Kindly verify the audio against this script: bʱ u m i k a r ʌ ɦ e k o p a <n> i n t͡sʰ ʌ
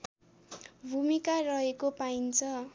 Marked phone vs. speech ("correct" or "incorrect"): incorrect